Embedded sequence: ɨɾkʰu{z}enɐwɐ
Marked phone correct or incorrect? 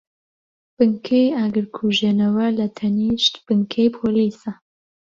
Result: incorrect